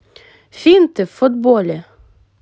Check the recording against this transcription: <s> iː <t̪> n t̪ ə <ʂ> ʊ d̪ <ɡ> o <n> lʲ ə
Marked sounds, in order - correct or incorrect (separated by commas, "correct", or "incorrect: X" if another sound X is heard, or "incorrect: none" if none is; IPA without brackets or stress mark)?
incorrect: f, incorrect: none, incorrect: f, incorrect: b, incorrect: none